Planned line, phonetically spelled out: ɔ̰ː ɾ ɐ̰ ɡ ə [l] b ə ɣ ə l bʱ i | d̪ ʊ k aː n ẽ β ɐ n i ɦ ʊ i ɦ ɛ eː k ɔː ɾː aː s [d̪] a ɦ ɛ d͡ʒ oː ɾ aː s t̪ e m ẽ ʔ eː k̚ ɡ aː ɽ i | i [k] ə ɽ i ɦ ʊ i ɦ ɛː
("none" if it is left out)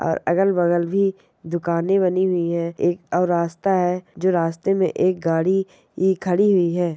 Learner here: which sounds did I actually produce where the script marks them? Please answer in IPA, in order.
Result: l, t̪, kʰ

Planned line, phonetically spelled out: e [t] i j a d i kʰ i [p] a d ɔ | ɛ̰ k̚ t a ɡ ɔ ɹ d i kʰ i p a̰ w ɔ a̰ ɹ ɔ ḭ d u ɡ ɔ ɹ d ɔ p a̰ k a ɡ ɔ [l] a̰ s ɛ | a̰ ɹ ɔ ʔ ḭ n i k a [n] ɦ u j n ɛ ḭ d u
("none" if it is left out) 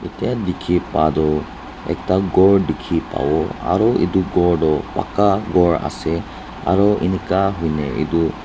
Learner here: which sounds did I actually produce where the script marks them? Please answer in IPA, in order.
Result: t, p, ɹ, none

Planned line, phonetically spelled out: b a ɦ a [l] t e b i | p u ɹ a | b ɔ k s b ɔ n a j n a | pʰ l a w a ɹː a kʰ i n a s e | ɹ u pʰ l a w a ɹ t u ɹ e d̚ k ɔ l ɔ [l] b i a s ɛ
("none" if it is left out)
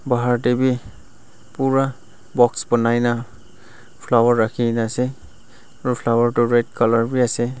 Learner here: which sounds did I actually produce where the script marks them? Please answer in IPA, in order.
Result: ɹ, ɹ

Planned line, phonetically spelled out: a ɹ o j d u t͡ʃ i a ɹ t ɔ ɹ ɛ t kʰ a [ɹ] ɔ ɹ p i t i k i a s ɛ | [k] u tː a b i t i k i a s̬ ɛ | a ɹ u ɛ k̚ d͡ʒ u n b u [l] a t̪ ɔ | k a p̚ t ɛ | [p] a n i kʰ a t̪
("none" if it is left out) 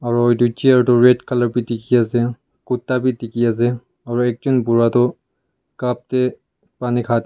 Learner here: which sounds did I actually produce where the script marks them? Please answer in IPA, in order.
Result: l, k, ɹ, p

